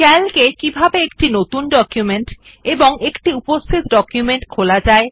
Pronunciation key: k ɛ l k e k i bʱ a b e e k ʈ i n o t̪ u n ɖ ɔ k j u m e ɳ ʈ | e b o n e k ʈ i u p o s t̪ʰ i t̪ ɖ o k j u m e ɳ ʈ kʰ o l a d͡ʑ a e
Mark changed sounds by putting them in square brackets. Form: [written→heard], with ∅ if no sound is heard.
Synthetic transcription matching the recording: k ɛ l k e k i bʱ a b e e k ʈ i n o t̪ u n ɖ ɔ k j u m e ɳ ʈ | e b o [n→ŋ] e k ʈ i u p o s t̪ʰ i t̪ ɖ [o→ɔ] k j u m e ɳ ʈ kʰ o l a d͡ʑ a e